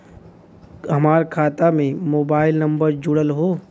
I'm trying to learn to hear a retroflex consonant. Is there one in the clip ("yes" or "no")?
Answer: yes